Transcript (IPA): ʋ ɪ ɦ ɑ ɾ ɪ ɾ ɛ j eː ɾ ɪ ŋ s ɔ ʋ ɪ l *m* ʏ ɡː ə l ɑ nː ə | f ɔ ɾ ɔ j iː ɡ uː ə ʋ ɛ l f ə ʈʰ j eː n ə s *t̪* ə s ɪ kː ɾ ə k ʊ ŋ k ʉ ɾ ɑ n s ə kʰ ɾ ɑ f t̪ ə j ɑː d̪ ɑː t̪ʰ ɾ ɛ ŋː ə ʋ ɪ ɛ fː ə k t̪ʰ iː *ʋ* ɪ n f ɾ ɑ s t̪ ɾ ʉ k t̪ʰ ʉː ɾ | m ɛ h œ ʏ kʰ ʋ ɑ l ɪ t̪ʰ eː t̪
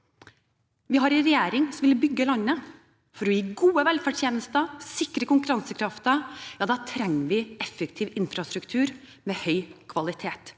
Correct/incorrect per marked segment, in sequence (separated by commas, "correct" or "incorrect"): incorrect, correct, correct